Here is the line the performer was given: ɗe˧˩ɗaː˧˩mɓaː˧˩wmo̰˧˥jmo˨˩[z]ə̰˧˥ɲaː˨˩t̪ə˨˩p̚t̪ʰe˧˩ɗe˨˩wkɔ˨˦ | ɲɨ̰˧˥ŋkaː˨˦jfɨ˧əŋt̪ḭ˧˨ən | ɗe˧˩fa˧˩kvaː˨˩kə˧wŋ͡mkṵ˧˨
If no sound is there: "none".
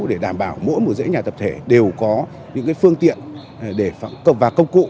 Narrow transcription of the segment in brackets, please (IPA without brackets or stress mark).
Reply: z